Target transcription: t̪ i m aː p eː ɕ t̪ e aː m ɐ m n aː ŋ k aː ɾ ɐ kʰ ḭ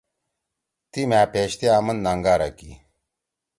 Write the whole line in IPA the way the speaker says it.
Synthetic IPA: t̪ i m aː p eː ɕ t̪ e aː m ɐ n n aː ŋ ɡ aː ɾ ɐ k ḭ